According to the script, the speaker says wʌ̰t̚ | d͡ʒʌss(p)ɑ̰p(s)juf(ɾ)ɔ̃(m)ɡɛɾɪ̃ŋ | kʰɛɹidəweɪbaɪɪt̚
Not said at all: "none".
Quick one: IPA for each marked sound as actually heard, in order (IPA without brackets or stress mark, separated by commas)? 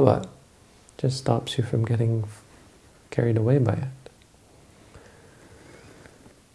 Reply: t, s, ɹ, m